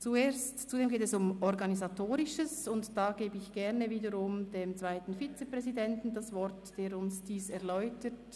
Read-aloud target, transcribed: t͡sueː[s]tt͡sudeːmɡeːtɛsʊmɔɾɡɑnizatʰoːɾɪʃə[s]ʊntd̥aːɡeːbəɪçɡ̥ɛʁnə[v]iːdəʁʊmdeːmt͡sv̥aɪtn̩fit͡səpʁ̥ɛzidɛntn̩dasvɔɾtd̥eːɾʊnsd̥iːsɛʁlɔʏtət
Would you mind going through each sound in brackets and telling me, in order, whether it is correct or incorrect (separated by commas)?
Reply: correct, correct, correct